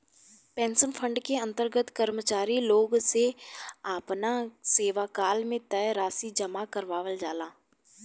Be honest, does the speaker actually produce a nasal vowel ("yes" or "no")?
yes